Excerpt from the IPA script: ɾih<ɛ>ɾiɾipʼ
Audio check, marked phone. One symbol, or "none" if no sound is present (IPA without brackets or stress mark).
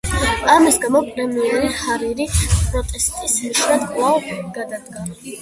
a